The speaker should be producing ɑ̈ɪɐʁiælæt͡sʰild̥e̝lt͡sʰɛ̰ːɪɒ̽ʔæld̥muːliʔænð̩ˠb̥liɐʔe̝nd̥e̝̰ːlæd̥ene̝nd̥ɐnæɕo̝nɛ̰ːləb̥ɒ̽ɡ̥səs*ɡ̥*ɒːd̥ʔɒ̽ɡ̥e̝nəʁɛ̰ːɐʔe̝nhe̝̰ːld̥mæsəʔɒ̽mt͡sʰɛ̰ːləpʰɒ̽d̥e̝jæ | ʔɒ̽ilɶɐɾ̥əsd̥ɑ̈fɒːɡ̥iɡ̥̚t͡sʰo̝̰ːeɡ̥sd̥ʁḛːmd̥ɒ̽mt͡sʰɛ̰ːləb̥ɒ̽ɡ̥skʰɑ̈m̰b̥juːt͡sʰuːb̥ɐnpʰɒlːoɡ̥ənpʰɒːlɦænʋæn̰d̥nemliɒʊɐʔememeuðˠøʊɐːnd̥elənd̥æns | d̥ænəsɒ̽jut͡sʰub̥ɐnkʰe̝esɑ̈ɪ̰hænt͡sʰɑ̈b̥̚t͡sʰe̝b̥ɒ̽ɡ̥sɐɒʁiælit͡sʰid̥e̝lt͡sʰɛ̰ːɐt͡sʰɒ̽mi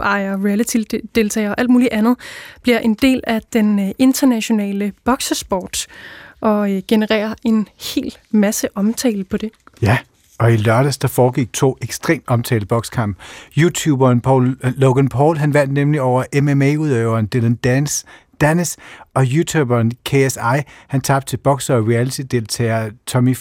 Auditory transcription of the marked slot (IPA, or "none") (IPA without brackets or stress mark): b̥